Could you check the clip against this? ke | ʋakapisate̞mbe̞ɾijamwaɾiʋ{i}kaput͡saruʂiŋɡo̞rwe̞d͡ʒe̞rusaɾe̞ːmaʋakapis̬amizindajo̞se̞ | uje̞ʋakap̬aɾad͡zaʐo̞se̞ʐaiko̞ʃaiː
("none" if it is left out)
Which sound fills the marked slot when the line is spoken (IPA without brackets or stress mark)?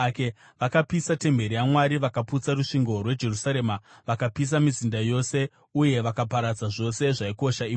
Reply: a